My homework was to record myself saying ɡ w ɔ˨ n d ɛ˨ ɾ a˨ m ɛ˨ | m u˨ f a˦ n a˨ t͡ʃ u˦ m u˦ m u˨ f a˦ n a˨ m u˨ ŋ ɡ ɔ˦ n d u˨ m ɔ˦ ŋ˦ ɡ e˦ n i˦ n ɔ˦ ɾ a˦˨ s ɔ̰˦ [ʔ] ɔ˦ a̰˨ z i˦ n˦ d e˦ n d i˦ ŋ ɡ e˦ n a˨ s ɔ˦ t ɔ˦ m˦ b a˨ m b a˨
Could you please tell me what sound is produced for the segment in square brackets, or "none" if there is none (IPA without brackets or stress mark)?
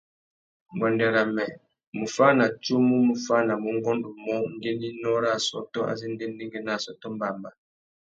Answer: t